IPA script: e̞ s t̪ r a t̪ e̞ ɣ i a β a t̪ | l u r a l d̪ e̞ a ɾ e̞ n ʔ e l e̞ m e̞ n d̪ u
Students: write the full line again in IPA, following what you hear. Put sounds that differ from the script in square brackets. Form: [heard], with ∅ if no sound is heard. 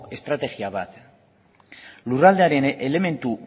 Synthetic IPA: e̞ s t̪ [ɾ] a t̪ e̞ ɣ i a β a t̪ | l u r a l d̪ e̞ a ɾ e̞ n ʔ e l e̞ m e̞ n [t̪] u